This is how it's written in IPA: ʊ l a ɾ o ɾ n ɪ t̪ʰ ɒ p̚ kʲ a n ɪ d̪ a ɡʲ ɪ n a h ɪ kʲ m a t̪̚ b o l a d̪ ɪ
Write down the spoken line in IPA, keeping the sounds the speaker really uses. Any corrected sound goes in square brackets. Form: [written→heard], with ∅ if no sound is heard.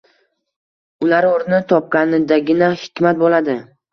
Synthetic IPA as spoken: ʊ l a ɾ o ɾ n ɪ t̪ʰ ɒ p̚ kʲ a n ɪ d̪ a ɡʲ ɪ n a h ɪ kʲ m a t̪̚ b o l a d̪ ɪ